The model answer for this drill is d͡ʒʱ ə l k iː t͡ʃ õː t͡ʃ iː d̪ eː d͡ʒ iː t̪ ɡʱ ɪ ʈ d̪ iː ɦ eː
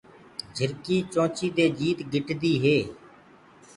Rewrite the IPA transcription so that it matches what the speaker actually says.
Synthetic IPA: d͡ʒʱ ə ɾ k iː t͡ʃ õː t͡ʃ iː d̪ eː d͡ʒ iː t̪ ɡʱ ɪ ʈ d̪ iː ɦ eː

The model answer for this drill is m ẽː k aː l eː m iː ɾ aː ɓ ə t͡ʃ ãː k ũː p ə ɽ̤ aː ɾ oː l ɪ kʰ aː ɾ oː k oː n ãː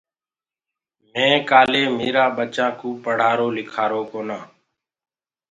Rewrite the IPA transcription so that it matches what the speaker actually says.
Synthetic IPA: m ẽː k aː l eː m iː ɾ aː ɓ ə t͡ʃ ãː k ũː p ə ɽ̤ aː ɾ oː l ɪ kʰ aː ɾ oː k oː n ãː

